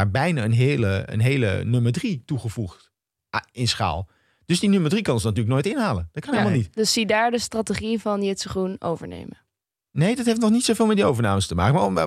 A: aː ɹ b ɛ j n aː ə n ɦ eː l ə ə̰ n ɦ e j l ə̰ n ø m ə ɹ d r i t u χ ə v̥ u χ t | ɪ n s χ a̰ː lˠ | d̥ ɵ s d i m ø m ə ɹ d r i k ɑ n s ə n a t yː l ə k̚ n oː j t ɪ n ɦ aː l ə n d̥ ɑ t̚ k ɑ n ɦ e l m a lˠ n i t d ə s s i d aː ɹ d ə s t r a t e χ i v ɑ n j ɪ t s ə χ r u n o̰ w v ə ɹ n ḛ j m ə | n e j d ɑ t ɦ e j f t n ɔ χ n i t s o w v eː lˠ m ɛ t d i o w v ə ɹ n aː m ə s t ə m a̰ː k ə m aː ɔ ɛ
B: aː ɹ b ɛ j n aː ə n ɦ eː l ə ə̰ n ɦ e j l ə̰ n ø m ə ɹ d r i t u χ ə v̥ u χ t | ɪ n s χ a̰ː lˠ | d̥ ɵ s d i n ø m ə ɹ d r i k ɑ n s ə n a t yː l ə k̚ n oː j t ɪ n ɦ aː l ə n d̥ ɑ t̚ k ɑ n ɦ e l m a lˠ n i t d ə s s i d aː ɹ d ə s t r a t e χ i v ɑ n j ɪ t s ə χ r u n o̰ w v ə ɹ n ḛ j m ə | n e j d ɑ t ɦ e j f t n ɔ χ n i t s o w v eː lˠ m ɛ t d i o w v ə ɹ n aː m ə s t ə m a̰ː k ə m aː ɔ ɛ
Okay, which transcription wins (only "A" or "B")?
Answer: B